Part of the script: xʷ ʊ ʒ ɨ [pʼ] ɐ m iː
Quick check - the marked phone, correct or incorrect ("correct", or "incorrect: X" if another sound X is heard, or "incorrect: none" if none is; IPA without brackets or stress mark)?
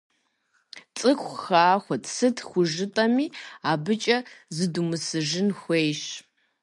incorrect: tʼ